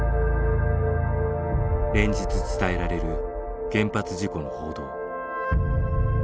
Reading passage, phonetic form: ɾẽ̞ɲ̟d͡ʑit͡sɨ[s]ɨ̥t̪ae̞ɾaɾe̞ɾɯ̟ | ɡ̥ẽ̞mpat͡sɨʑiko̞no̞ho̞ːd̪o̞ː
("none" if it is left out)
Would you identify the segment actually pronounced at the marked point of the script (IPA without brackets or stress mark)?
t͡s